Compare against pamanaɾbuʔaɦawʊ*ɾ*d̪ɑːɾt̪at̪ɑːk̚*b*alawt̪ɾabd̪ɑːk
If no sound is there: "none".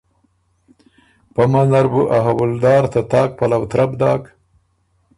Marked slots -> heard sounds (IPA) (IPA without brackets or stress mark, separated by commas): l, p